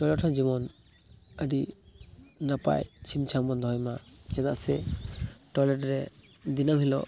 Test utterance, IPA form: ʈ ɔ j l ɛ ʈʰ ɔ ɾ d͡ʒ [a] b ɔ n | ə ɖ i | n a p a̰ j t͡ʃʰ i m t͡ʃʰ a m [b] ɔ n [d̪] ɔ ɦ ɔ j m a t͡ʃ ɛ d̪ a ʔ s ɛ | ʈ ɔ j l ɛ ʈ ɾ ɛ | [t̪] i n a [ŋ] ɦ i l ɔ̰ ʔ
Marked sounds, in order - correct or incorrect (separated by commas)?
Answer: incorrect, correct, correct, incorrect, incorrect